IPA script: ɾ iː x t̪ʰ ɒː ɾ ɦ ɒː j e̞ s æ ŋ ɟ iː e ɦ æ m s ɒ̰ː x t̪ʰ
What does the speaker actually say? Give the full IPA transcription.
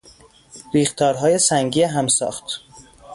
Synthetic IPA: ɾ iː x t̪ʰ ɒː ɾ ɦ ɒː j e̞ s æ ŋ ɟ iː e ɦ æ m s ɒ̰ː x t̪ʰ